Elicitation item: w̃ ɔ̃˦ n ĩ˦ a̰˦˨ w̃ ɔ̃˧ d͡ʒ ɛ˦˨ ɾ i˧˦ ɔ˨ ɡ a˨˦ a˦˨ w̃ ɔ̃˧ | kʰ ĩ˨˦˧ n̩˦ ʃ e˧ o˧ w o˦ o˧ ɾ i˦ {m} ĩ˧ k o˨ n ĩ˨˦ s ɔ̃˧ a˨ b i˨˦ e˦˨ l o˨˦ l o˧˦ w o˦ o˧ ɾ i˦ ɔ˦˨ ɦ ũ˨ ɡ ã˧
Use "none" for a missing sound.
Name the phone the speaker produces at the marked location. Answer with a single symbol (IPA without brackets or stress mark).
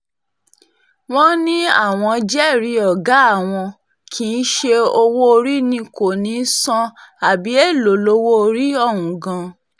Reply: n